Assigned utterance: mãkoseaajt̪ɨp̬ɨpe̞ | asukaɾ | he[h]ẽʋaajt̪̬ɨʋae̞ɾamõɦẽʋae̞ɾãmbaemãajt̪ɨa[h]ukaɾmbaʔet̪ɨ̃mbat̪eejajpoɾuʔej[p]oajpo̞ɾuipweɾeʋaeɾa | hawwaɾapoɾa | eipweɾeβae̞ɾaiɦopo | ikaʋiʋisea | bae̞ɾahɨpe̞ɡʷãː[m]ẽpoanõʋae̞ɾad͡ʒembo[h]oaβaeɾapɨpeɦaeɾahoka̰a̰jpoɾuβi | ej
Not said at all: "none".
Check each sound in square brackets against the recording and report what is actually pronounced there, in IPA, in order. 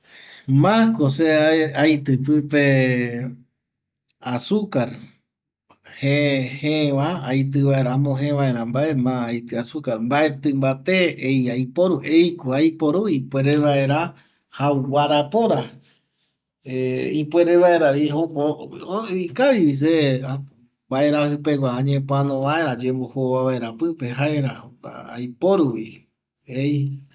h, s, k, ɲ, h

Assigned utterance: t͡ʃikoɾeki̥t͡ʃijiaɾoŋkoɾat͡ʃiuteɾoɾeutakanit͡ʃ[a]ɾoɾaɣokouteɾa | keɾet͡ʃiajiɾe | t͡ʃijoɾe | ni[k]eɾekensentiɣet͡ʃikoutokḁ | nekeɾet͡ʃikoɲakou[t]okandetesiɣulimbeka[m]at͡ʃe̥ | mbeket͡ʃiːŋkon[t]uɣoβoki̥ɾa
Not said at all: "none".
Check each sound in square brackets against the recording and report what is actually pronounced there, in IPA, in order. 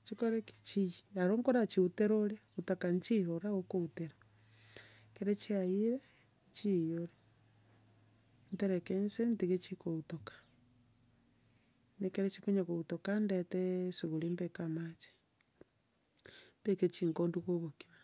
i, t, t, m, d

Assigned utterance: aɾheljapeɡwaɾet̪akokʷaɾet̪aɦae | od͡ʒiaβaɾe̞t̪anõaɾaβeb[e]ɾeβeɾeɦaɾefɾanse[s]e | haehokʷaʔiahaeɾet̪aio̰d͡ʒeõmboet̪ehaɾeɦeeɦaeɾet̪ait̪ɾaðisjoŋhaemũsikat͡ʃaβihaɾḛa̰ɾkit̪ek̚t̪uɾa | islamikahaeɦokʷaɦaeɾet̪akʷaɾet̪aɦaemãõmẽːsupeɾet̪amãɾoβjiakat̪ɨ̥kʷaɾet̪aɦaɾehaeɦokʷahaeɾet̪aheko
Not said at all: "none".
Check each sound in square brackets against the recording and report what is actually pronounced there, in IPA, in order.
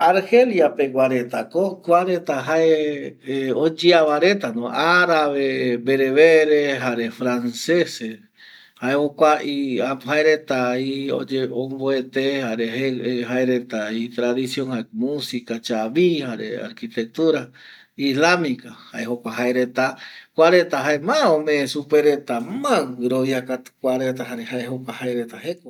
e, s

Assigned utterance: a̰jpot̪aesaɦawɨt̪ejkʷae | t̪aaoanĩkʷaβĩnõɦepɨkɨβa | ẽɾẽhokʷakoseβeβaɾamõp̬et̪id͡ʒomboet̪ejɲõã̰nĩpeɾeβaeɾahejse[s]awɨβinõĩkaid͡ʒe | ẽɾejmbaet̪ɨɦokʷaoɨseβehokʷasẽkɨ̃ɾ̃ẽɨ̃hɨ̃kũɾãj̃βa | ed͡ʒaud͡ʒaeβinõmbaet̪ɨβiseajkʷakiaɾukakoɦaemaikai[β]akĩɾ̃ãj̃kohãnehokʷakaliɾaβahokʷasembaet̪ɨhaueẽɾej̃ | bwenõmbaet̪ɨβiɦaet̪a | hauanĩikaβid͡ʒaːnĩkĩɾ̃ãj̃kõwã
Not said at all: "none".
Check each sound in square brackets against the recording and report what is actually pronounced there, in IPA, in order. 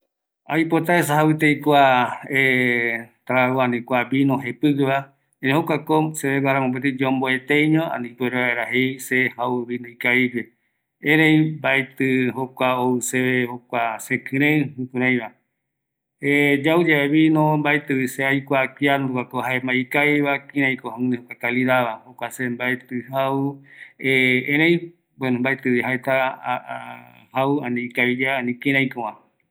h, β

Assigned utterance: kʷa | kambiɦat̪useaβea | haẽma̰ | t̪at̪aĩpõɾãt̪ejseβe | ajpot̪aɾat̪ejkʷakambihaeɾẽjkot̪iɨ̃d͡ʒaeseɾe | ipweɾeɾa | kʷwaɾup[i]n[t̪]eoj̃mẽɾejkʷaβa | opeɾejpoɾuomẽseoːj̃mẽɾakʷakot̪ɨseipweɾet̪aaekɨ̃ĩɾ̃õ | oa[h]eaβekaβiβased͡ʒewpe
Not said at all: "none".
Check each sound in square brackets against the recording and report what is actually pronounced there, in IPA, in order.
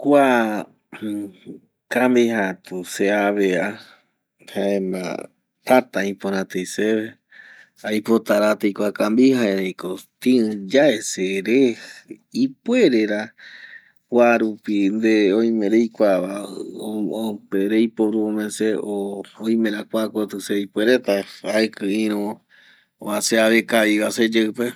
i, d̪, s

